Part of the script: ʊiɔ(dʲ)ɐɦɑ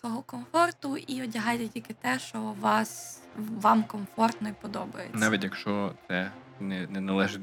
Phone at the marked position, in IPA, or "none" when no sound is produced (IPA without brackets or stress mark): dʲ